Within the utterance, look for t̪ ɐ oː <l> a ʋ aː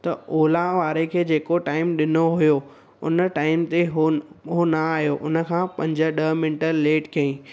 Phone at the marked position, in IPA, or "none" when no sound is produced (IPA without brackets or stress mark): l